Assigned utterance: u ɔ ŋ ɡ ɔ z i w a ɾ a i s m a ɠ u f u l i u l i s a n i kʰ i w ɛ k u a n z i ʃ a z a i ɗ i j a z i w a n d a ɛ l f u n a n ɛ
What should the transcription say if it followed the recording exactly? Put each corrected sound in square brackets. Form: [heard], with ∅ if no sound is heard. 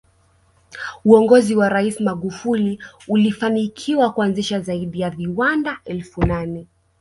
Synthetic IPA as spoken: u ɔ ŋ ɡ ɔ z i w a ɾ a i s m a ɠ u f u l i u l i [f] a n i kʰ i w [a] k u a n z i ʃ a z a i ɗ i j a [v] i w a n d a ɛ l f u n a n ɛ